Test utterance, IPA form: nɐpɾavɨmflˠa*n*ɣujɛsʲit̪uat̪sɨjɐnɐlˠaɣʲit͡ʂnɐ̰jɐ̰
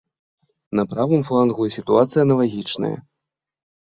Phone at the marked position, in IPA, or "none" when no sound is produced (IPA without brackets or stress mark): n